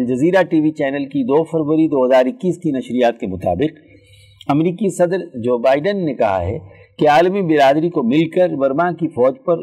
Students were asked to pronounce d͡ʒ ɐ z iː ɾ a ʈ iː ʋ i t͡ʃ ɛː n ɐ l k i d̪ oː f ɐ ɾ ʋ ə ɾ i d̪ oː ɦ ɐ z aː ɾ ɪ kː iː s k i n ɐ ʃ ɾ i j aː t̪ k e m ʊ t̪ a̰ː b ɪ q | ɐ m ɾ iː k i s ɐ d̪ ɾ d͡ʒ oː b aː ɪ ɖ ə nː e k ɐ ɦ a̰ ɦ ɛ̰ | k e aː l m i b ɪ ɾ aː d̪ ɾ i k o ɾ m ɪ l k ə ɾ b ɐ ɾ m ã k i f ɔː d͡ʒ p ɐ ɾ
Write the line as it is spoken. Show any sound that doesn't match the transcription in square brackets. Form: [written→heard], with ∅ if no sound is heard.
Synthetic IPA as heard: d͡ʒ ɐ z iː ɾ a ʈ iː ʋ i t͡ʃ ɛː n [ɐ→ə] l k i d̪ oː f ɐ ɾ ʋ ə ɾ i d̪ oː ɦ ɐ z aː ɾ ɪ kː iː s k i n ɐ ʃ ɾ i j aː t̪ k e m ʊ t̪ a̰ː b ɪ q | ɐ m ɾ iː k i s ɐ d̪ ɾ d͡ʒ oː b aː ɪ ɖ ə nː e k ɐ ɦ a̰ ɦ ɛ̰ | k e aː l m i b ɪ ɾ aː d̪ ɾ i k o [ɾ→∅] m ɪ l k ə ɾ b ɐ ɾ m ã k i f ɔː d͡ʒ p ɐ ɾ